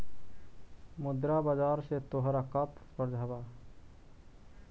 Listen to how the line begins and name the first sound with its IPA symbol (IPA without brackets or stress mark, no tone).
m